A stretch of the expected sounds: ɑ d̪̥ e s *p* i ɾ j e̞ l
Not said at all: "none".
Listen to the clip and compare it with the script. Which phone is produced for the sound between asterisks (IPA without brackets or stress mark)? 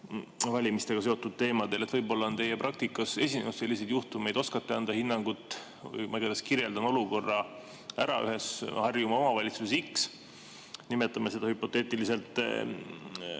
k